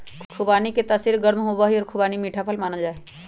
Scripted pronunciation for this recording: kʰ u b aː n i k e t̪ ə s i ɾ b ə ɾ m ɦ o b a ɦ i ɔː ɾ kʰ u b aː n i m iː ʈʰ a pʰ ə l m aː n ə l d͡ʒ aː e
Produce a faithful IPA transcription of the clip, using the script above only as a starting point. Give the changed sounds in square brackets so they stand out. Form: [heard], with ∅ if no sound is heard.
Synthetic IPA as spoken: kʰ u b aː n i k e t̪ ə s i ɾ [ɡ] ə ɾ m ɦ o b a ɦ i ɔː ɾ kʰ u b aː n i m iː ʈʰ a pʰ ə l m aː n ə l d͡ʒ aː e